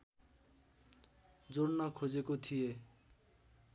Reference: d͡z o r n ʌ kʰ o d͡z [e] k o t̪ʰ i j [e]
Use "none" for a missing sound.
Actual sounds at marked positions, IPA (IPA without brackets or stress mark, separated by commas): e, e